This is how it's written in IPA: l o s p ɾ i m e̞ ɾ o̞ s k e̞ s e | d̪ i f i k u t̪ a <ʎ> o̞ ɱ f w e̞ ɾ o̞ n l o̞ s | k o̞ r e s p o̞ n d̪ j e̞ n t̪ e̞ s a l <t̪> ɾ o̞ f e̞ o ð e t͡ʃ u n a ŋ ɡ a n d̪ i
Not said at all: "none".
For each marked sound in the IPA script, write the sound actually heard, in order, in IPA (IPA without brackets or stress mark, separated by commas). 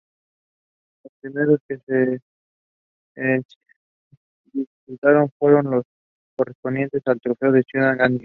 ɾ, t̪